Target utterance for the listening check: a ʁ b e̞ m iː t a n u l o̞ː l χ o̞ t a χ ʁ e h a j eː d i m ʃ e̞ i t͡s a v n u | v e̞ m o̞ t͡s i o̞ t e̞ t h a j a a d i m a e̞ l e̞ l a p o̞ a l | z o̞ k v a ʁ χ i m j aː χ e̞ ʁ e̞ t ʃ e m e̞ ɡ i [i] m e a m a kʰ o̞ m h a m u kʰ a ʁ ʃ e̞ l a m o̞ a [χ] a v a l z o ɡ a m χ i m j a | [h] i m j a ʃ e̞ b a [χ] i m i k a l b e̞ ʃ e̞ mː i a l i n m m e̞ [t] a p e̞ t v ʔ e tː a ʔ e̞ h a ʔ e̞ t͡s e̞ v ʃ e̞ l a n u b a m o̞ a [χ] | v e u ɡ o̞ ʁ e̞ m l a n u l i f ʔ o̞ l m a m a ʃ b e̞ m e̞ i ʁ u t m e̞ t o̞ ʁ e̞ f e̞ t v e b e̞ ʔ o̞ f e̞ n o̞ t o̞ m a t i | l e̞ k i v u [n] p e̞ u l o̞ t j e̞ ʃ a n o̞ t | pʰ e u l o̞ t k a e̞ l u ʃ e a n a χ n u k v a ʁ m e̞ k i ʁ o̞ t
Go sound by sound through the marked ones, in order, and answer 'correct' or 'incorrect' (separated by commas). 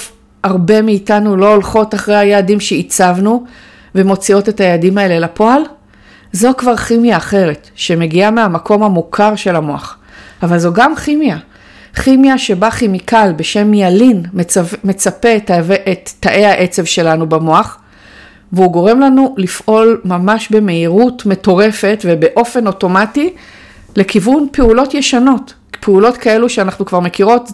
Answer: incorrect, correct, incorrect, correct, incorrect, correct, correct